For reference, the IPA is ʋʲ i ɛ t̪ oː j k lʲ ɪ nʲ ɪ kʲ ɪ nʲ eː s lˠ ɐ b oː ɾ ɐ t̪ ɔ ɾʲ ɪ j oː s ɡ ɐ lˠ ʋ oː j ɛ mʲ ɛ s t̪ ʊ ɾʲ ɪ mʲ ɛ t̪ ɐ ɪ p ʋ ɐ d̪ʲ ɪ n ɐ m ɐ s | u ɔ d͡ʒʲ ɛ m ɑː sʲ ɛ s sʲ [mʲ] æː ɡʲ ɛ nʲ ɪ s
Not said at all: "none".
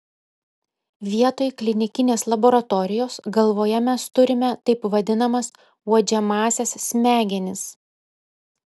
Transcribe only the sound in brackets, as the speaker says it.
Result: mʲ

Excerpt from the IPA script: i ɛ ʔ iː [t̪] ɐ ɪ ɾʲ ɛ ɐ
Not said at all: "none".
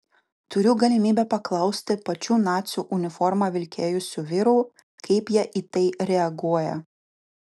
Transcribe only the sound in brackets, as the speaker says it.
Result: t̪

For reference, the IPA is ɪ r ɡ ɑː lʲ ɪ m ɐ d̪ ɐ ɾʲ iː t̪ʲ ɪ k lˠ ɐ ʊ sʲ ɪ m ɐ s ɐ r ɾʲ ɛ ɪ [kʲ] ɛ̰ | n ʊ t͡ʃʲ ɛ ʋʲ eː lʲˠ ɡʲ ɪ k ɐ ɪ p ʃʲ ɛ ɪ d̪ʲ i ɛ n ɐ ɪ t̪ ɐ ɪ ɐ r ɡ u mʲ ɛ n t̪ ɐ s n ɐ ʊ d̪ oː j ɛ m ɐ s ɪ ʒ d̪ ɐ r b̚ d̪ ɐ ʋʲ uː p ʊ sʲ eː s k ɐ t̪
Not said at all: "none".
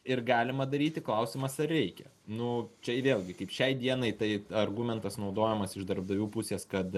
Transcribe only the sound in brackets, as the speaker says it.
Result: kʲ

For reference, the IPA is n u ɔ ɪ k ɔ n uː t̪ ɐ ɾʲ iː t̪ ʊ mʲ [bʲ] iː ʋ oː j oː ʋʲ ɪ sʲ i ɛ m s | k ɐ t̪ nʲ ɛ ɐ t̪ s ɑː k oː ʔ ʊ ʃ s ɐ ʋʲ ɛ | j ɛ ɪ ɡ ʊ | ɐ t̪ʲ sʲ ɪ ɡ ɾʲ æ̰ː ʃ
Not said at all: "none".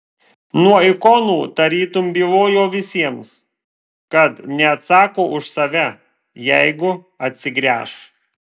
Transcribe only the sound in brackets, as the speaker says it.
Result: bʲ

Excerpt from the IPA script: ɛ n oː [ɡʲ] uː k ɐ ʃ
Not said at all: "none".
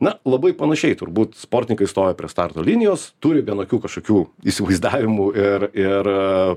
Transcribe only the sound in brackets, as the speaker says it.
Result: kʲ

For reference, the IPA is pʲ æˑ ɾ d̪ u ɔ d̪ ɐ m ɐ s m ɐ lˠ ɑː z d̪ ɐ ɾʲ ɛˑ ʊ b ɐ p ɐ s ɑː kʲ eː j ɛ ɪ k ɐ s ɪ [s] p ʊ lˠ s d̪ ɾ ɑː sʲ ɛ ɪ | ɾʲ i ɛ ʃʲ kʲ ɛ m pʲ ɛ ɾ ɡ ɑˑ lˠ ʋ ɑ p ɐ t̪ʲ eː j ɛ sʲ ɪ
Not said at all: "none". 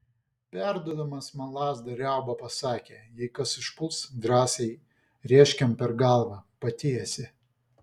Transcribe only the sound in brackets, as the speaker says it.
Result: ʃ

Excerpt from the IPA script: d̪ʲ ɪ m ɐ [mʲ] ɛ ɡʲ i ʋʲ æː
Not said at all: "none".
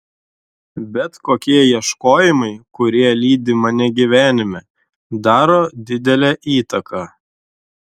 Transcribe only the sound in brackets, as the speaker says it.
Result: nʲ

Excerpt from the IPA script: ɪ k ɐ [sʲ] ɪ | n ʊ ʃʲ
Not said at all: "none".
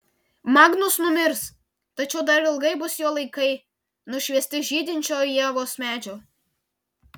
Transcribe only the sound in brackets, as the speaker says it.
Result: none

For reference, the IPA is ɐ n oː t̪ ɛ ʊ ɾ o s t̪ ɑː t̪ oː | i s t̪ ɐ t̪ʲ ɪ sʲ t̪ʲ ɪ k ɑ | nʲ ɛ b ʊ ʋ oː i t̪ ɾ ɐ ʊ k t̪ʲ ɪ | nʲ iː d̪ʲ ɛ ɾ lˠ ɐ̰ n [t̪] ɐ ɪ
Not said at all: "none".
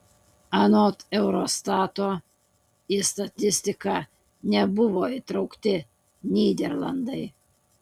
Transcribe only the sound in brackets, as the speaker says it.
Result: d̪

